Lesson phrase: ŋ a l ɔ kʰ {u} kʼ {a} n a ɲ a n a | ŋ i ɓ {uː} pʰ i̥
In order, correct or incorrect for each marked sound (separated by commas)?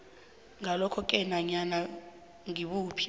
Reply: incorrect, incorrect, correct